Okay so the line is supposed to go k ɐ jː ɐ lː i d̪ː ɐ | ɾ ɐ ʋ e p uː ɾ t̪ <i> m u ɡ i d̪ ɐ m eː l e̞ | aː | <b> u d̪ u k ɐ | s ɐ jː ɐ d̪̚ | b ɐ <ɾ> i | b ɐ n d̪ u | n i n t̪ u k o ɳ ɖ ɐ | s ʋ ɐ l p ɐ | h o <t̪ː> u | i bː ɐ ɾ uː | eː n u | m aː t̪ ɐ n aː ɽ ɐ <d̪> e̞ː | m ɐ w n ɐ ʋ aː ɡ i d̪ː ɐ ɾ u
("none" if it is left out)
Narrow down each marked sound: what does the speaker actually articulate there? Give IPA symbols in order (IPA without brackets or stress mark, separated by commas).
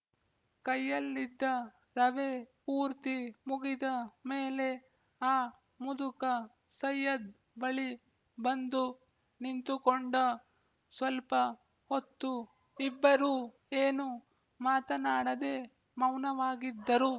i, m, ɭ, t̪ː, d̪